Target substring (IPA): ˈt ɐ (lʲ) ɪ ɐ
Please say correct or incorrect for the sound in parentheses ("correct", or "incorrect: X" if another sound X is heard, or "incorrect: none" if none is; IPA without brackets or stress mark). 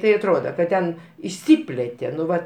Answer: incorrect: none